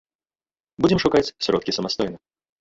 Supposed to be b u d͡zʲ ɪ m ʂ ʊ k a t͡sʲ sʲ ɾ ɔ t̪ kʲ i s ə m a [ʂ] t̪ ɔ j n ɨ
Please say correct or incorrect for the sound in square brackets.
incorrect